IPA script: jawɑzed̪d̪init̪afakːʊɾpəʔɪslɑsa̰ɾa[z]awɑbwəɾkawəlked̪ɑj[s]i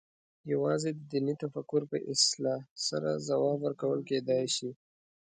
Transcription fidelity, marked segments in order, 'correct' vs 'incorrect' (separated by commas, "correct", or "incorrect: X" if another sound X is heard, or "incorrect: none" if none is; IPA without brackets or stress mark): correct, incorrect: ʃ